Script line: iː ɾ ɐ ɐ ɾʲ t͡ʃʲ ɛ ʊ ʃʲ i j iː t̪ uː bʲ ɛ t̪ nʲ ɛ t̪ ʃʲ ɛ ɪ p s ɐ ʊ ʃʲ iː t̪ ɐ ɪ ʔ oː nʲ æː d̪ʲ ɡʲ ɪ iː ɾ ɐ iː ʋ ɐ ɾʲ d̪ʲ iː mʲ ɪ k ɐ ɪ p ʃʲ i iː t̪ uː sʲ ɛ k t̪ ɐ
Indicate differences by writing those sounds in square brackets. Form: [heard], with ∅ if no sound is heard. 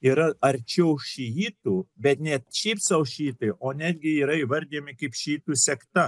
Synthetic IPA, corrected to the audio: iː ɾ ɐ ɐ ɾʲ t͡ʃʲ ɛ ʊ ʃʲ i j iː t̪ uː bʲ ɛ t̪ nʲ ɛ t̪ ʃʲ ɛ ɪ p s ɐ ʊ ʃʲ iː t̪ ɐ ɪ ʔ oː nʲ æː d̪ʲ ɡʲ ɪ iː ɾ ɐ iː ʋ ɐ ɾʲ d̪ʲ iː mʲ ɪ k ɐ ɪ p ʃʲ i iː t̪ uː sʲ ɛ k t̪ ɐ